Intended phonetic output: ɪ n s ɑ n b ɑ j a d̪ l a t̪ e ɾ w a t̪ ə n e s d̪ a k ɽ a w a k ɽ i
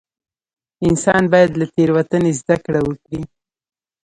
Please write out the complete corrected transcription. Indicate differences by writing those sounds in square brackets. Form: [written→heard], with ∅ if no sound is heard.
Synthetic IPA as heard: ɪ n s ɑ n b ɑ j a d̪ l a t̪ e ɾ w a t̪ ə n e [s→z] d̪ a k ɽ a w [a→ə] k ɽ i